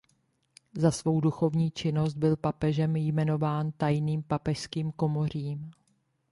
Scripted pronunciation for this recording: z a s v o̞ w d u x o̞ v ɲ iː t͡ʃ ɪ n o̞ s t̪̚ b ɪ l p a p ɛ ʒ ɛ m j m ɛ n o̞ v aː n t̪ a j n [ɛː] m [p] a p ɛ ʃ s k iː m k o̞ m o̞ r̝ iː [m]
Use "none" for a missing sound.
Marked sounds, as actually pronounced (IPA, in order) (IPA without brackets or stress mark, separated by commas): iː, p, m